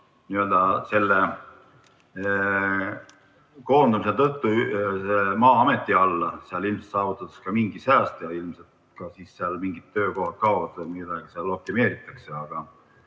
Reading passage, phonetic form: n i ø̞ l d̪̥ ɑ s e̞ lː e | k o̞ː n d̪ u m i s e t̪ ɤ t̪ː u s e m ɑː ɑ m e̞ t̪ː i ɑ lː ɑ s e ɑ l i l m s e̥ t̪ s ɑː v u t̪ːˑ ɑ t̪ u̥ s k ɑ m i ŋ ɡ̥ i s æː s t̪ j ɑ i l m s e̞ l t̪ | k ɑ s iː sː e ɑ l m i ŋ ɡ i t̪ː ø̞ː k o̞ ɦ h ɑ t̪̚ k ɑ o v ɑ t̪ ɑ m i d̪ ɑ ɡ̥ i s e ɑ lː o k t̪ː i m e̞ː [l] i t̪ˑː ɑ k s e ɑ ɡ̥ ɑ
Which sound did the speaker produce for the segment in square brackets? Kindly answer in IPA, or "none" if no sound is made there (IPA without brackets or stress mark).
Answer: ɾ